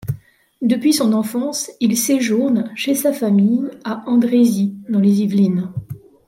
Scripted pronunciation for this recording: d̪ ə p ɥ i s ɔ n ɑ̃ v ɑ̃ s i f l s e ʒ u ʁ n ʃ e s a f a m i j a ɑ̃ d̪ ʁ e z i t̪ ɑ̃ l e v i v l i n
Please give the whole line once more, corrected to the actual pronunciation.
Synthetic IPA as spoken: d̪ ə p ɥ i s ɔ̃ n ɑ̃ f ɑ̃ s i l s e ʒ u ʁ n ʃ e s a f a m i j a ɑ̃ d̪ ʁ e z i d̪ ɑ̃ l e z i v l i n